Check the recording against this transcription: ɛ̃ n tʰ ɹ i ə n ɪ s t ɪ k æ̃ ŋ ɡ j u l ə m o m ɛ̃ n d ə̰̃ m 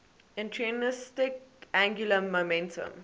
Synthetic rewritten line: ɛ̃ n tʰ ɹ i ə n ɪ s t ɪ k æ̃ ŋ ɡ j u l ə m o m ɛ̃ n t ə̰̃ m